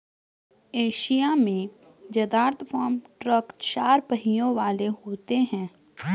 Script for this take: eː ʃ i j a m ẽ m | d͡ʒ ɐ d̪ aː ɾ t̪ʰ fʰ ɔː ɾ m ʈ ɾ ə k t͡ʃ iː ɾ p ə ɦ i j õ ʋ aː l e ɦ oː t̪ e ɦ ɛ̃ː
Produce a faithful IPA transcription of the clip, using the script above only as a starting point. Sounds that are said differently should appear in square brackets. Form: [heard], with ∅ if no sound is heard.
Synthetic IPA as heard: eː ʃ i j a m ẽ [∅] | d͡ʒ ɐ d̪ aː ɾ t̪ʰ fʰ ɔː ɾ m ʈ ɾ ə k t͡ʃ [aː] ɾ p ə ɦ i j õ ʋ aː l e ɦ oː t̪ e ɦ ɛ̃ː